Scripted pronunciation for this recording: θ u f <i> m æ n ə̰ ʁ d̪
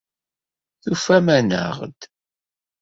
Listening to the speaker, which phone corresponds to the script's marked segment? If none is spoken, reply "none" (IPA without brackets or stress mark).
æ